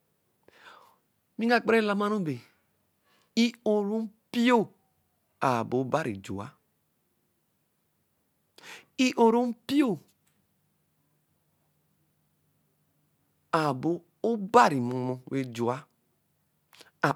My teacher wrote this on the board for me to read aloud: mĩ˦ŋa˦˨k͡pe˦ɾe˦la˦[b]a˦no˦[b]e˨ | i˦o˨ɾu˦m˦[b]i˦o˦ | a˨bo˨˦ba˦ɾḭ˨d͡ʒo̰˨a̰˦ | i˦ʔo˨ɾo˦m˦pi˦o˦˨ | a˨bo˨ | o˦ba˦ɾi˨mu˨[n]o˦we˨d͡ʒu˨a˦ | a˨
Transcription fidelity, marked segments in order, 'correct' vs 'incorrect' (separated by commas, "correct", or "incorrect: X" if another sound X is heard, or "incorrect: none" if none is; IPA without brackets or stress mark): incorrect: m, correct, incorrect: p, incorrect: m